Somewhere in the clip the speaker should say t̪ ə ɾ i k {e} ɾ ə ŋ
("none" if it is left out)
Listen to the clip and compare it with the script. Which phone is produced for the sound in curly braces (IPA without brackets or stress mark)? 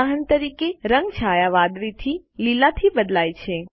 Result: e